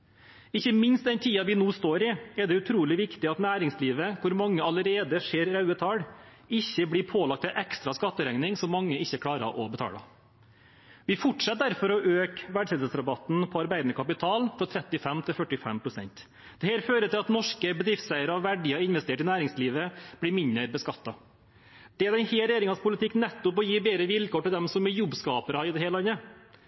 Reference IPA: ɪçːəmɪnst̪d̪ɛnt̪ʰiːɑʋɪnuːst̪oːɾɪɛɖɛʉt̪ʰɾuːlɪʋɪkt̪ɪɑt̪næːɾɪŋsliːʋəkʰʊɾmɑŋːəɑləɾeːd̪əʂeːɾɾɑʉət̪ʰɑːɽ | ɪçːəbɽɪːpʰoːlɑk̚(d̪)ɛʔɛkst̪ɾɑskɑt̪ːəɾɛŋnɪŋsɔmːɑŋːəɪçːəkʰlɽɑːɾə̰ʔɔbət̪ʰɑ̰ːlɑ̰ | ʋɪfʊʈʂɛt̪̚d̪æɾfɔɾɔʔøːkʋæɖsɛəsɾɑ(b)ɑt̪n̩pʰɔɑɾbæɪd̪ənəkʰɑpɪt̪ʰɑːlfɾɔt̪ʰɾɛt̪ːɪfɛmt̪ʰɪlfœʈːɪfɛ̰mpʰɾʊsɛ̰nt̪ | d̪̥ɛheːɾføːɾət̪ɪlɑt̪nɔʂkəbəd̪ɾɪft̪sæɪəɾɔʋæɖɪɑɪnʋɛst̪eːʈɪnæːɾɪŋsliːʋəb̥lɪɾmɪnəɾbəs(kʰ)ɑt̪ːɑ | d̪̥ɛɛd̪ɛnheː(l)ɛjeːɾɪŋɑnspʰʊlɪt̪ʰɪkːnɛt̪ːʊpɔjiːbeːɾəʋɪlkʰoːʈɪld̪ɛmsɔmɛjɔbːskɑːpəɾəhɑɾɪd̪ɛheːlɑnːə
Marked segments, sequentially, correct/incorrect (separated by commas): incorrect, correct, incorrect, incorrect